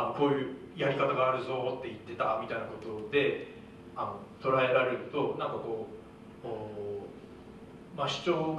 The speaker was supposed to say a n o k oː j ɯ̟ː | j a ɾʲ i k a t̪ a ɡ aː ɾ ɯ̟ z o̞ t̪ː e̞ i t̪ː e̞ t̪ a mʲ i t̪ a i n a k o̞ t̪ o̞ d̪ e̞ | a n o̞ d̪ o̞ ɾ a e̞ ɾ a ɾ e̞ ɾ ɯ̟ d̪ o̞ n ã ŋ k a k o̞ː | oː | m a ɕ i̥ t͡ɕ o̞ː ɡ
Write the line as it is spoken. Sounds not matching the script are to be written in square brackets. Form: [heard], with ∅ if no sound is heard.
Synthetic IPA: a n o k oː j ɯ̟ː | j a ɾʲ i k a t̪ a ɡ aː ɾ ɯ̟ z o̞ t̪ː e̞ i t̪ː e̞ t̪ a mʲ i t̪ a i n a k o̞ t̪ o̞ d̪ e̞ | a n o̞ [t̪] o̞ ɾ a e̞ ɾ a ɾ e̞ ɾ ɯ̟ [t̪] o̞ n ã ŋ k a k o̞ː | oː | m a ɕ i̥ t͡ɕ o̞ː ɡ